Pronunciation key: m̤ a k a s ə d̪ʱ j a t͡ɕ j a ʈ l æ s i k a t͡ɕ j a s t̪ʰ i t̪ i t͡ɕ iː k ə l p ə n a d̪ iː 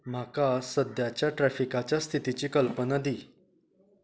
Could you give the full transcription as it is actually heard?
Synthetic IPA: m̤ a k a s ə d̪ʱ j a t͡ɕ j a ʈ ɾ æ f i k a t͡ɕ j a s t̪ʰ i t̪ i t͡ɕ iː k ə l p ə n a d̪ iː